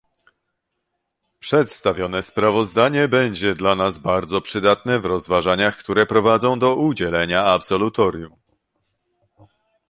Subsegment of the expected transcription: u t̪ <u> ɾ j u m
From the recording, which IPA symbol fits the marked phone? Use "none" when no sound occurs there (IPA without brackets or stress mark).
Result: ɔ